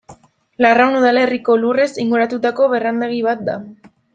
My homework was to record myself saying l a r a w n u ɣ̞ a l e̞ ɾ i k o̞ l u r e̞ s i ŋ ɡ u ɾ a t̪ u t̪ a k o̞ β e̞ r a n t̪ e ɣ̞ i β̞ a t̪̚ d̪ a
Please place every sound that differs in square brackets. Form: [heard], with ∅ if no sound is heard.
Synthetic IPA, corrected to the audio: l a r a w n u [ð̞] a l e̞ [r] i k o̞ l u r e̞ s i ŋ ɡ u ɾ a t̪ u t̪ a k o̞ β e̞ r a n [d̪] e ɣ̞ i β̞ a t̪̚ d̪ a